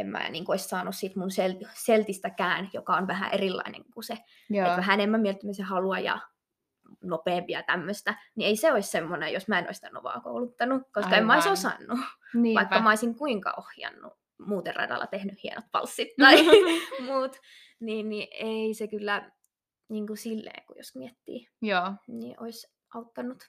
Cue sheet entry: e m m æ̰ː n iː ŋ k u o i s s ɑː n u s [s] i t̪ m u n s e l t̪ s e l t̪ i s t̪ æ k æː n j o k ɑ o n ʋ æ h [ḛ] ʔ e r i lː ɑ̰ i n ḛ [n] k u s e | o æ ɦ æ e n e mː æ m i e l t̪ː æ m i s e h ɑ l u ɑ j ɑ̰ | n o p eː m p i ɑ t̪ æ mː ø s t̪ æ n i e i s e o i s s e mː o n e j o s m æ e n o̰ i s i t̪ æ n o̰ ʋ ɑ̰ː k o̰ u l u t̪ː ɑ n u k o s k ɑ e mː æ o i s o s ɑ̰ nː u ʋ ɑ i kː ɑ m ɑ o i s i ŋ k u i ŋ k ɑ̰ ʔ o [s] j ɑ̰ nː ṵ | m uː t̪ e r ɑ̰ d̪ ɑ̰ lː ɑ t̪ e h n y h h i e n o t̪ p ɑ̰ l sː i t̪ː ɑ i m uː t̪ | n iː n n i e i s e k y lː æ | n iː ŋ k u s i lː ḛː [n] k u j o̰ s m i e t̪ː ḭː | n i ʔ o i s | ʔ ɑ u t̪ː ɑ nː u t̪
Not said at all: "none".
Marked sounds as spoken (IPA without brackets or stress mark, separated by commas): s, æ̰, ŋ, h, ŋ